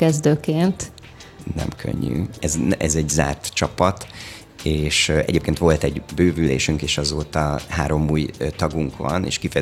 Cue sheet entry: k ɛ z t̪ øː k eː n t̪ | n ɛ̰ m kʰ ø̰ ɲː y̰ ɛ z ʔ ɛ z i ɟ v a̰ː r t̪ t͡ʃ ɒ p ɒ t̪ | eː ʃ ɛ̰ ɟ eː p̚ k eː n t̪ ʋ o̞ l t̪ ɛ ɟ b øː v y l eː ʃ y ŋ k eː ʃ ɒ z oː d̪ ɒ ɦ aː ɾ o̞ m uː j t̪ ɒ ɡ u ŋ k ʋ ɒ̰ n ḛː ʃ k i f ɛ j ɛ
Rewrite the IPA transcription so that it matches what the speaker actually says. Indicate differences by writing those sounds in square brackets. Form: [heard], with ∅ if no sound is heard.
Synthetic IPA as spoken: k ɛ z [d̪] øː k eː n t̪ | n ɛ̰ m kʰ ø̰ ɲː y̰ ɛ z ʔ ɛ z [ɛ] ɟ [z] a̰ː r t̪ t͡ʃ ɒ p ɒ t̪ | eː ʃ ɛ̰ ɟ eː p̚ k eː n t̪ ʋ o̞ l t̪ ɛ ɟ b øː v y l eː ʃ y ŋ k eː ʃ ɒ z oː [t̪] ɒ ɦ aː ɾ o̞ m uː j t̪ ɒ ɡ u ŋ k ʋ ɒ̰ n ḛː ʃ k i f ɛ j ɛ